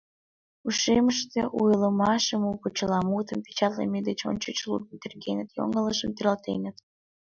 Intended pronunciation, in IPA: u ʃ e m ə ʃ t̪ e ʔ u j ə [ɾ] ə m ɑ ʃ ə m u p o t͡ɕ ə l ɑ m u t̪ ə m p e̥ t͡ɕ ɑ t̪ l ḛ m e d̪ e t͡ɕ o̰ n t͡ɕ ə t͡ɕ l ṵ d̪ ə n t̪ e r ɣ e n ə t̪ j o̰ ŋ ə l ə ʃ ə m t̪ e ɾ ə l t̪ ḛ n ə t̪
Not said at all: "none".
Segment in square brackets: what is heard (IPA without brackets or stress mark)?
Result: l